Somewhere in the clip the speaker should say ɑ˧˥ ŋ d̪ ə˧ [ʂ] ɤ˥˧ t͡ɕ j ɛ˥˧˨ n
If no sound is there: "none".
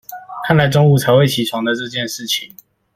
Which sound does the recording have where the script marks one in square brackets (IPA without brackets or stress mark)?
ʈ͡ʂ